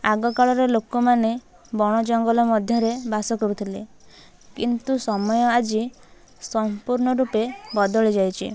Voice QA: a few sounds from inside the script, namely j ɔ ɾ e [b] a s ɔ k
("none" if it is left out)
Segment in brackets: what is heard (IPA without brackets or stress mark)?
b